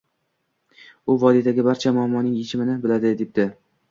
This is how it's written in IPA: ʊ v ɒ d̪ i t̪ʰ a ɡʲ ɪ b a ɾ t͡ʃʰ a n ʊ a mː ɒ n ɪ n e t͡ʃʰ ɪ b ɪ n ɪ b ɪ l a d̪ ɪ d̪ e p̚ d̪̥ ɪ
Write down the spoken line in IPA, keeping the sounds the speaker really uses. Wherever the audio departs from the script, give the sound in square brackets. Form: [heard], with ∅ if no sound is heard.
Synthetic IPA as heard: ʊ v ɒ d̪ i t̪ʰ a ɡʲ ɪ b a ɾ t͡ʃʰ a [m] ʊ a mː ɒ n ɪ [ŋ] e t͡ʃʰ ɪ [m] ɪ n ɪ b ɪ l a d̪ ɪ d̪ e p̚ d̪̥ ɪ